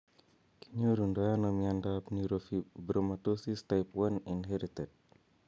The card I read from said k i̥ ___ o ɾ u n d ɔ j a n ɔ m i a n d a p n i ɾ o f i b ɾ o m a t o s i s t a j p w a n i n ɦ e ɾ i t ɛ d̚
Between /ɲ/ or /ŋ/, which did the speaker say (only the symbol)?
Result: ɲ